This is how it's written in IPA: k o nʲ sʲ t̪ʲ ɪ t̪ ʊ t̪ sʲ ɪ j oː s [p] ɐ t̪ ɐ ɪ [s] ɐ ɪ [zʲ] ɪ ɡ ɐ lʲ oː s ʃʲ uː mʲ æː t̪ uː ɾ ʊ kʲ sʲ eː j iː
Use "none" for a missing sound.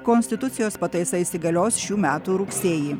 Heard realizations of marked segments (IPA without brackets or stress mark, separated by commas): p, s, sʲ